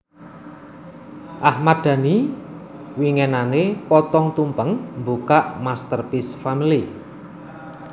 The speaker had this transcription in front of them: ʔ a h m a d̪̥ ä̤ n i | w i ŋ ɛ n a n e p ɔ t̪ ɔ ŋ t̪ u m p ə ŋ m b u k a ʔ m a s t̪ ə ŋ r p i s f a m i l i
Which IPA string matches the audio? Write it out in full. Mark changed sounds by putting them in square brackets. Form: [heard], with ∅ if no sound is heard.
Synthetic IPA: ʔ a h m a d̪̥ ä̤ n i | w i ŋ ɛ n a n e p ɔ t̪ ɔ ŋ t̪ u m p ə ŋ m b u k a ʔ m a s t̪ ə [∅] r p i s f a m i l i

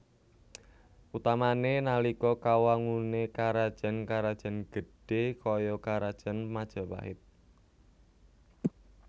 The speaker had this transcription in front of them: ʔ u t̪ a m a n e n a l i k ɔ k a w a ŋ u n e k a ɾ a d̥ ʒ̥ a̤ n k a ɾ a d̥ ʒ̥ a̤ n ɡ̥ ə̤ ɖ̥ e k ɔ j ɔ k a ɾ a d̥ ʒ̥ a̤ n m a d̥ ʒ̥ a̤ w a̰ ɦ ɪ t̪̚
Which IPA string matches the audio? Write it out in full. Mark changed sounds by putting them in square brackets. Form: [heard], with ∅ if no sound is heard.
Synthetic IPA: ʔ u t̪ a m a n e n a l i k ɔ k a w a ŋ u n e k a ɾ a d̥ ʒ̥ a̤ n k a ɾ a d̥ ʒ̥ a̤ n ɡ̥ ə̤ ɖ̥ e k ɔ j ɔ k a ɾ a d̥ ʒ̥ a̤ n m a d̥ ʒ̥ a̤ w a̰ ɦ ɪ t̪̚

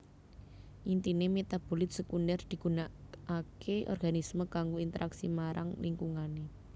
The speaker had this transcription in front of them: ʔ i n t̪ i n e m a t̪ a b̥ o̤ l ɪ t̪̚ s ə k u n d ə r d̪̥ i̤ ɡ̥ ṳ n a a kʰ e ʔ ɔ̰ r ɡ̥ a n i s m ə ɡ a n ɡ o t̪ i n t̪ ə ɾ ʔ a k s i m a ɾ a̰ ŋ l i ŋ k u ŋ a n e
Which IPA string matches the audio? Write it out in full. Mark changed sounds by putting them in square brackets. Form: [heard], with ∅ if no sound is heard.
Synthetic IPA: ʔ i n t̪ i n e m [e] t̪ a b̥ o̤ l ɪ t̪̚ s ə k u n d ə r d̪̥ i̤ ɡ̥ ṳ n a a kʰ e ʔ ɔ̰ r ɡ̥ a n i s m ə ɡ a [ŋ] ɡ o [∅] i n t̪ ə ɾ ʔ a k s i m a ɾ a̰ ŋ l i ŋ k u ŋ a n e

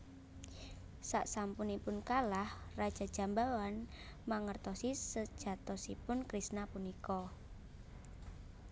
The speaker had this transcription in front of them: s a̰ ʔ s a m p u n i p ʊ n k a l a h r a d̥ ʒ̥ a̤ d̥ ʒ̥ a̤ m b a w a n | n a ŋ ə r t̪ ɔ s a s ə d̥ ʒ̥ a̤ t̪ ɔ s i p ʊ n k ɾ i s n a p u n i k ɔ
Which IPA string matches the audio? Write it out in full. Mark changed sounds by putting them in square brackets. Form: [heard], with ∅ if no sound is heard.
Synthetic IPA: s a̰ ʔ s a m p u n i p ʊ n k a l a h r a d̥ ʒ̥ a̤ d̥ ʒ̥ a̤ m b a w a n | [m] a ŋ ə r t̪ ɔ s [i] s ə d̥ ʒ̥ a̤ t̪ ɔ s i p ʊ n k ɾ i s n a p u n i k ɔ

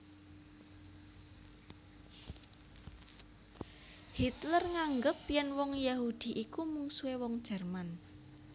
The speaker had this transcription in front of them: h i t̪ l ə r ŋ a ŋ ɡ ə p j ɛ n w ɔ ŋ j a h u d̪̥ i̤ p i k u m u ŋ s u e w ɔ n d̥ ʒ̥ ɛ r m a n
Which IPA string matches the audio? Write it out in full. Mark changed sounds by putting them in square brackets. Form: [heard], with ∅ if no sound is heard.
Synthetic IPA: h i t̪ l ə r ŋ a ŋ ɡ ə p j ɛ n w ɔ ŋ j a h u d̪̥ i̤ [ʔ] i k u m u ŋ s u e w ɔ [ŋ] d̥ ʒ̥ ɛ r m a n

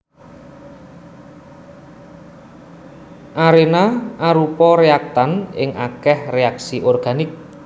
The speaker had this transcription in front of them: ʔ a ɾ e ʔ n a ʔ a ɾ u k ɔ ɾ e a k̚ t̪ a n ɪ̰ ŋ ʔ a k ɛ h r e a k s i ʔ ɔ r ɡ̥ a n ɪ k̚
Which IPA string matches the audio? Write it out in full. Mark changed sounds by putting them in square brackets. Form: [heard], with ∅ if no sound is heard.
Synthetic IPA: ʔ a ɾ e [∅] n a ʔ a ɾ u [p] ɔ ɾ e a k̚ t̪ a n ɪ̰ ŋ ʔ a k ɛ h r e a k s i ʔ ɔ r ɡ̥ a n ɪ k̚

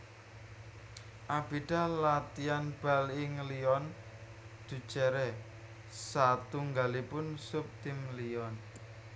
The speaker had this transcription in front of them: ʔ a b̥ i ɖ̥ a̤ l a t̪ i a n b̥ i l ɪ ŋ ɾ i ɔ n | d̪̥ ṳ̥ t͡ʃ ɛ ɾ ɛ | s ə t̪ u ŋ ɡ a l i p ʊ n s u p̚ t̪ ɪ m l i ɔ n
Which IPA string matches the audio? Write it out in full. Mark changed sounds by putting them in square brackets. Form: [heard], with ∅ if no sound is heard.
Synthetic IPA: ʔ a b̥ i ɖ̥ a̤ l a t̪ i a n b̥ [a] l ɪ ŋ [l] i ɔ n | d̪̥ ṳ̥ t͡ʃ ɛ ɾ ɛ | s [a] t̪ u ŋ ɡ a l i p ʊ n s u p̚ t̪ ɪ m l i ɔ n

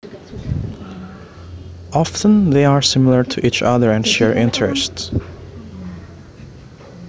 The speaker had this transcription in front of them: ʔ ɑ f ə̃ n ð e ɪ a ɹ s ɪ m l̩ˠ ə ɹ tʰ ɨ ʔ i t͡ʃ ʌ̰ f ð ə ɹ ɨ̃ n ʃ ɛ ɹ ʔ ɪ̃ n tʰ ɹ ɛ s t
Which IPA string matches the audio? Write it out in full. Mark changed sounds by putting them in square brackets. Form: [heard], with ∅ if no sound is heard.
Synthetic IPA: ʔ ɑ f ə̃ n ð e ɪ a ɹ s ɪ m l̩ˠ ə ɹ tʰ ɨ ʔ i t͡ʃ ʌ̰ [∅] ð ə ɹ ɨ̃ n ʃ ɛ ɹ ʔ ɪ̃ n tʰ ɹ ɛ s t

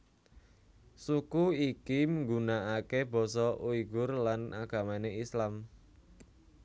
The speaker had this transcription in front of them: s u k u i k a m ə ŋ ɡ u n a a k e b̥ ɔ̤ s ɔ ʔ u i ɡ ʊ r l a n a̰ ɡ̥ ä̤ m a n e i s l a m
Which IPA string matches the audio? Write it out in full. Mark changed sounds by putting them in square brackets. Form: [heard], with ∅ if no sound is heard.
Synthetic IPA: s u k u i k [i] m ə ŋ ɡ u n a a k e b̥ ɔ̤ s ɔ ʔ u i ɡ ʊ r l a n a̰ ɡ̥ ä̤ m a n e i s l a m

